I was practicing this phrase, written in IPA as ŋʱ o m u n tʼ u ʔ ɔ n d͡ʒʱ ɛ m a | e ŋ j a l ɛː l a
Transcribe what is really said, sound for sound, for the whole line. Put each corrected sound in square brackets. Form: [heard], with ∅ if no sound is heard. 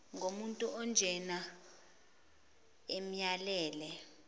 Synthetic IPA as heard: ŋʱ o m u n tʼ u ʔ ɔ n d͡ʒʱ ɛ [n] a | e [m] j a l ɛː l [ɛ]